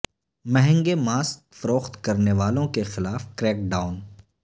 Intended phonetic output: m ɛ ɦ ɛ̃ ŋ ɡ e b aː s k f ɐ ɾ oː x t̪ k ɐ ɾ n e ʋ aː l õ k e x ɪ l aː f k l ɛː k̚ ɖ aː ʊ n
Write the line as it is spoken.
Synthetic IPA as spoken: m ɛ ɦ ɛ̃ ŋ ɡ e m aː s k f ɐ ɾ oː x t̪ k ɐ ɾ n e ʋ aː l õ k e x ɪ l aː f k ɾ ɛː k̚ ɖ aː ʊ n